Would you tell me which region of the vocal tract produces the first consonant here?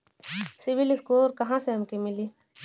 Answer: tongue tip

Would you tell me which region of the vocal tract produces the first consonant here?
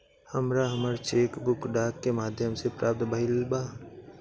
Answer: throat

